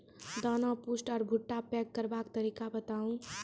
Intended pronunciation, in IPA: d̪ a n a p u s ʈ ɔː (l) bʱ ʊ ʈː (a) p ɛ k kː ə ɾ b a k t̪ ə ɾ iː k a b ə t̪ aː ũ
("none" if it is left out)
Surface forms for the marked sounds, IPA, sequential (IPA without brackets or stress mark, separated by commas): ɾ, a